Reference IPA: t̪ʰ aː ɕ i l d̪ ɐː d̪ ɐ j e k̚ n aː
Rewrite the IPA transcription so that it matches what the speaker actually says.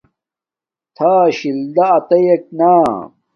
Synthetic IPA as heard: t̪ʰ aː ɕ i l d̪ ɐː t̪ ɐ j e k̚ n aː